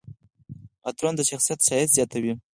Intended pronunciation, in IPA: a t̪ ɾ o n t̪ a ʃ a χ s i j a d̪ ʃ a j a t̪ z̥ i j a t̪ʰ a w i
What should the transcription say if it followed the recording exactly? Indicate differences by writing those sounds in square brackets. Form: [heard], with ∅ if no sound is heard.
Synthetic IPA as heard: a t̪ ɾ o n [d̪] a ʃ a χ s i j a [t̪] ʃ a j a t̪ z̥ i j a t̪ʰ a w i